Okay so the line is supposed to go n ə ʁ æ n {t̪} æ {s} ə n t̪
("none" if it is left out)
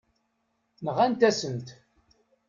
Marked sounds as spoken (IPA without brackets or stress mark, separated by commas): t̪, s